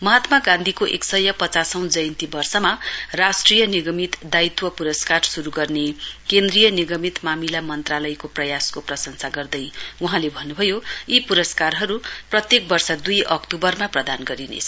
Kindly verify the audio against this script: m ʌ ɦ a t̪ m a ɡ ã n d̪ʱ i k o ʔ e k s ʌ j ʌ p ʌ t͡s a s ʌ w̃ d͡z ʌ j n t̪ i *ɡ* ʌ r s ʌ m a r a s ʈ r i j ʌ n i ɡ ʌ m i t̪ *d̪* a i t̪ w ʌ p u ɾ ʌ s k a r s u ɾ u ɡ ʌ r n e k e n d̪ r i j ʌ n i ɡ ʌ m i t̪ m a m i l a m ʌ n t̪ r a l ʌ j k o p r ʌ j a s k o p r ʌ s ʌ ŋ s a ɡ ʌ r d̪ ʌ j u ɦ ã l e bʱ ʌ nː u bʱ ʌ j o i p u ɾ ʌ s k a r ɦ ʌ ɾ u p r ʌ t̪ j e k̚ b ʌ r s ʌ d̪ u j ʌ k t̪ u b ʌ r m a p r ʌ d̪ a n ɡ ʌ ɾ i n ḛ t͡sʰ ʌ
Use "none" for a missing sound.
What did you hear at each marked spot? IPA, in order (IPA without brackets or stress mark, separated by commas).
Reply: b, d̪